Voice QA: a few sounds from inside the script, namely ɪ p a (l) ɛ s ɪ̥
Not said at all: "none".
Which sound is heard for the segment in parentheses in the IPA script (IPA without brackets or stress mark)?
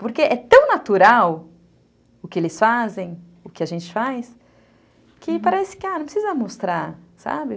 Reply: ɾ